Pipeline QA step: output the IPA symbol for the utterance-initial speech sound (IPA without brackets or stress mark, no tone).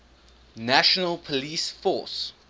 n